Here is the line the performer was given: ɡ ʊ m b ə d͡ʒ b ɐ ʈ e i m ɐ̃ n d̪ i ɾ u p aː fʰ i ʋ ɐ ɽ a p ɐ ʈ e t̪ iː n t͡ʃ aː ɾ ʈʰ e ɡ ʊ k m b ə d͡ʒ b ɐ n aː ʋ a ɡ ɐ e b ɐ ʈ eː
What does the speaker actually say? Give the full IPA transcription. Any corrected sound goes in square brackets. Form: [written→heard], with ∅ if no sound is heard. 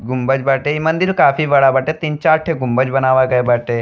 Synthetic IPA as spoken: ɡ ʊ m b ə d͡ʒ b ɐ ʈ e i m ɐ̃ n d̪ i ɾ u [p→k] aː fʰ i ʋ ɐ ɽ a [p→b] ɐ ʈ e t̪ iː n t͡ʃ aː ɾ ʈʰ e ɡ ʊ [k→∅] m b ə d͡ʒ b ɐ n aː ʋ a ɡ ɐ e b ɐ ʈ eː